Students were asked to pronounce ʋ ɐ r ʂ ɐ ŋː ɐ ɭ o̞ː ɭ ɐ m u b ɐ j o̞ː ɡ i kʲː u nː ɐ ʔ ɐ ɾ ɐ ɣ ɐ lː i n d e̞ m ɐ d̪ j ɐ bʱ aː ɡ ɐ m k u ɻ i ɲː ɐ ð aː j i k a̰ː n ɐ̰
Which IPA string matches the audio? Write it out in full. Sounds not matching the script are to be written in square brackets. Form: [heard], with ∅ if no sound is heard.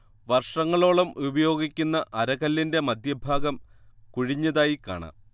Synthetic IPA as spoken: ʋ ɐ r ʂ ɐ ŋː ɐ ɭ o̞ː ɭ ɐ m u b ɐ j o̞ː ɡ i kʲː u nː ɐ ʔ ɐ ɾ ɐ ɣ ɐ lː i n d e̞ m ɐ d̪ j ɐ bʱ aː ɡ ɐ m k u ɻ i ɲː ɐ ð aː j i k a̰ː [ɳ] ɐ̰